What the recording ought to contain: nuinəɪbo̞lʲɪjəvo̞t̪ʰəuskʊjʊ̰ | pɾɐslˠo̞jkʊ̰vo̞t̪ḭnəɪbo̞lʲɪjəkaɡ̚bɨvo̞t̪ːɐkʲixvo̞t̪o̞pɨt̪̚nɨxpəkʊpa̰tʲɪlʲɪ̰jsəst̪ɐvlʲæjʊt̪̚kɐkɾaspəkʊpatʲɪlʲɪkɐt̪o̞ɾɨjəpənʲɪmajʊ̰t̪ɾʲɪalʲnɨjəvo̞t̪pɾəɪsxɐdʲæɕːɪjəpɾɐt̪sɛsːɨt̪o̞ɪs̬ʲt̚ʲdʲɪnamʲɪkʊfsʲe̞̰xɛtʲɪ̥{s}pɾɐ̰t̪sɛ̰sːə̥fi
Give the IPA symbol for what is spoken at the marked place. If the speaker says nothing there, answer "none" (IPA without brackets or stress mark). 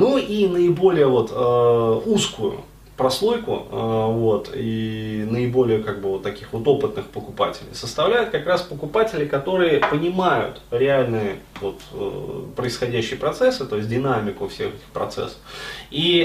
x